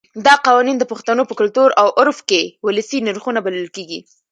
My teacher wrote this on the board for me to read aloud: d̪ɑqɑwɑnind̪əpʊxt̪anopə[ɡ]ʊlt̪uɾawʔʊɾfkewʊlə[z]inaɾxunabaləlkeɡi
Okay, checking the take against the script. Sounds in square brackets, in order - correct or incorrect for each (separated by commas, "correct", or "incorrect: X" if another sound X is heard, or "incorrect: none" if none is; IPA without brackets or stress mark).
incorrect: k, incorrect: s